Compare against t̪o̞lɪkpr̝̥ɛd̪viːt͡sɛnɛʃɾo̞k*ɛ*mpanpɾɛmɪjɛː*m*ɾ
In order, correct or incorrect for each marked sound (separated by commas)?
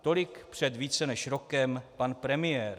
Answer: correct, incorrect